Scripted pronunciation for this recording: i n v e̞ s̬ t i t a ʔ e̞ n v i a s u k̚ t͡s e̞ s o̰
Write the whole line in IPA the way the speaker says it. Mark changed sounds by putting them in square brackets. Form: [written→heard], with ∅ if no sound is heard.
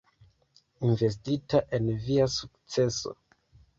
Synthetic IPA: i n v e̞ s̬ t i t a ʔ e̞ n v i a s u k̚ t͡s e̞ s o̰